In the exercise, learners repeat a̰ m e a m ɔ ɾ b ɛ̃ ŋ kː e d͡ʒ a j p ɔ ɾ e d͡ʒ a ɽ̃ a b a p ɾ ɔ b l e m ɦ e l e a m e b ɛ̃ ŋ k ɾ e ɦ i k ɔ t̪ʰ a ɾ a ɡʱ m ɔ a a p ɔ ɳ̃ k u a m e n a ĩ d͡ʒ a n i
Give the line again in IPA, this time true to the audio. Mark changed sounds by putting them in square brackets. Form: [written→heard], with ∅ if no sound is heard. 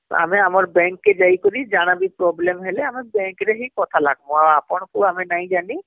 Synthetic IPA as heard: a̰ m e a m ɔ ɾ b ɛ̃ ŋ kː e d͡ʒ a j [p→k] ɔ ɾ [e→i] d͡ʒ a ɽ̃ a b [a→i] p ɾ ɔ b l e m ɦ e l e a m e b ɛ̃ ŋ k ɾ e ɦ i k ɔ t̪ʰ a [ɾ→l] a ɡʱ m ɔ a a p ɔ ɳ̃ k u a m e n a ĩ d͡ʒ a n i